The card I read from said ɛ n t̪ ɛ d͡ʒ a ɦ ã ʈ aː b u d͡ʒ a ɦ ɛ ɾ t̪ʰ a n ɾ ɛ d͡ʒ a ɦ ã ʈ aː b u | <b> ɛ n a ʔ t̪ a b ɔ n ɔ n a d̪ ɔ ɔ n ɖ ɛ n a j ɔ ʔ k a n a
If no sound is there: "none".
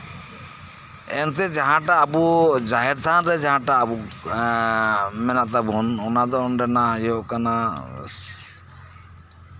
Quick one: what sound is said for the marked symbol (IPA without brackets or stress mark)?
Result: m